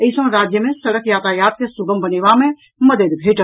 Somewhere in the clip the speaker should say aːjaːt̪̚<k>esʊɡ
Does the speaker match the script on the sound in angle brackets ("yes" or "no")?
yes